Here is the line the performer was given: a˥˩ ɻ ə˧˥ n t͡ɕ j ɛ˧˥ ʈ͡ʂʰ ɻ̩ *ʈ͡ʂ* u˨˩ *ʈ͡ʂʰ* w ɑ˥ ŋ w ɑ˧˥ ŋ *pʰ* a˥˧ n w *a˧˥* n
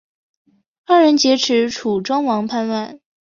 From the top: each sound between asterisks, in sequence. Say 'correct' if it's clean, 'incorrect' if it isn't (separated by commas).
incorrect, incorrect, correct, incorrect